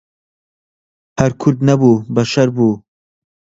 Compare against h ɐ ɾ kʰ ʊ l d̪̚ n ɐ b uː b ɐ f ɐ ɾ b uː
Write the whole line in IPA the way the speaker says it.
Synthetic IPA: h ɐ ɾ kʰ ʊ ɾ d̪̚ n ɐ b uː b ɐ ʃ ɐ ɾ b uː